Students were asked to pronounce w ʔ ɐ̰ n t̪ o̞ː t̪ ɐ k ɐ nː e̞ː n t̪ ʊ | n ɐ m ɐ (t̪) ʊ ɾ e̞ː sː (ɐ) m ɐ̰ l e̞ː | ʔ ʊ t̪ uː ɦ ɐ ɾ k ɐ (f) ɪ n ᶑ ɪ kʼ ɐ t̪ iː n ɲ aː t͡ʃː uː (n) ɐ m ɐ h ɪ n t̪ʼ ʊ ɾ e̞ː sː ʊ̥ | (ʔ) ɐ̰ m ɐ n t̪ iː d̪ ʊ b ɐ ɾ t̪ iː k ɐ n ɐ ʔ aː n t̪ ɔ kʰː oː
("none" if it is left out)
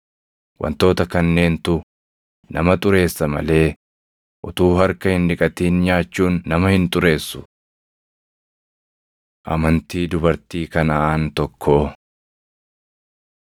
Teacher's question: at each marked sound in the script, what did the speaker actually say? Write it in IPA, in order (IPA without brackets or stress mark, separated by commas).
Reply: t̪ʼ, ɐ, h, nː, ʔ